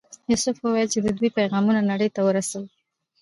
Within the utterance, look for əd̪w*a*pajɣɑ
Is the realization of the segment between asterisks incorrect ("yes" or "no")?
yes